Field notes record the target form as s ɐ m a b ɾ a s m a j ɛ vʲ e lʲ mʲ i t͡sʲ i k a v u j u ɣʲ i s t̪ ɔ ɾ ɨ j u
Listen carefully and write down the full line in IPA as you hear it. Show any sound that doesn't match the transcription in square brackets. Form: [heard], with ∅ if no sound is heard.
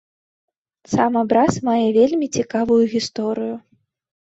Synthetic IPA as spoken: s [a] m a b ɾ a s m a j ɛ vʲ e lʲ mʲ i t͡sʲ i k a v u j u ɣʲ i s t̪ ɔ ɾ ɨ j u